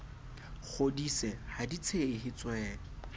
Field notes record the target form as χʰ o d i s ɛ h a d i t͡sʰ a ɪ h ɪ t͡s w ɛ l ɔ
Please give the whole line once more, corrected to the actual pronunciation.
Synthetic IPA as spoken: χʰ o d i s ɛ h a d i t͡sʰ e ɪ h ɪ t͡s w ɛː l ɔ